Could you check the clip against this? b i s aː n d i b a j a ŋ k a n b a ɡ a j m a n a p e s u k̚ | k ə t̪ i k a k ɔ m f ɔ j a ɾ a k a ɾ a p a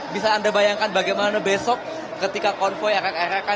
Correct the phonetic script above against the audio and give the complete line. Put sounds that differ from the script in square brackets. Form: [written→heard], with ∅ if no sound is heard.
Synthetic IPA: b i s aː n d [i→a] b a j a ŋ k a n b a ɡ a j m a n a [p→b] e s [u→ɔ] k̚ | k ə t̪ i k a k ɔ [m→n] f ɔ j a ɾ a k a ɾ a [p→k] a